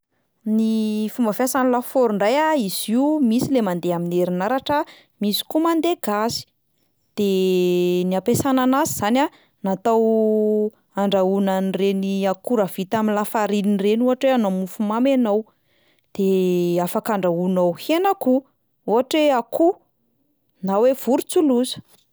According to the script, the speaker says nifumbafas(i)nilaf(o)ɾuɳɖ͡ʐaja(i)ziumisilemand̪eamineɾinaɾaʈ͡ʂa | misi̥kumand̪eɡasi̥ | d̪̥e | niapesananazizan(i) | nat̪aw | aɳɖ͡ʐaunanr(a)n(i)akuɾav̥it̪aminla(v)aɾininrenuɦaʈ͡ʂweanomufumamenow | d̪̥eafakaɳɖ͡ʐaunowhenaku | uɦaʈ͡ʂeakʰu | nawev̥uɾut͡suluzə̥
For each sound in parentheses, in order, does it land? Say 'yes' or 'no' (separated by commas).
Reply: no, yes, yes, no, no, yes, no